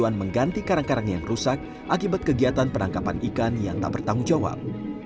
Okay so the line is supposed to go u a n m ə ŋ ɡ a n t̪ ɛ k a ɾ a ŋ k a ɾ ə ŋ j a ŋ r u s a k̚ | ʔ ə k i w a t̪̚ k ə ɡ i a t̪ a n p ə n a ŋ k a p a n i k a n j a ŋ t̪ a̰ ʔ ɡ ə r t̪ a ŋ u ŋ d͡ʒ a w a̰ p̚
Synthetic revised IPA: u a n m ə ŋ ɡ a n t̪ i k a ɾ a ŋ k a ɾ a ŋ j a ŋ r u s a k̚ | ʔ a k i b a t̪̚ k ə ɡ i a t̪ a n p ə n a ŋ k a p a n i k a n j a ŋ t̪ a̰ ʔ b ə r t̪ a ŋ u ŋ d͡ʒ a w a̰ p̚